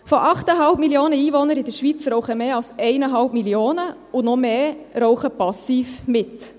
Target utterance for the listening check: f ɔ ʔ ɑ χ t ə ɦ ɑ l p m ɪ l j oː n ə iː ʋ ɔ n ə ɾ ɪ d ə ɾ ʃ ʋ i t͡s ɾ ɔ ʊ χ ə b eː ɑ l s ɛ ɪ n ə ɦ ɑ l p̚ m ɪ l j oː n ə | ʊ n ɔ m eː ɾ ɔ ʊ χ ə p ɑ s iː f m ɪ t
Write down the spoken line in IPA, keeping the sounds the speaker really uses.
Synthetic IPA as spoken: f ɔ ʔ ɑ χ t ə ɦ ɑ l p m i l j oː n ə iː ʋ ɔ n ə ɾ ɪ d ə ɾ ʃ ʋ i t͡s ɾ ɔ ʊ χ ə m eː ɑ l s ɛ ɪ n ə ɦ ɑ l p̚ m i l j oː n ə | ʊ n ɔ m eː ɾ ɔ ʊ χ ə p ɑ s iː f m ɪ t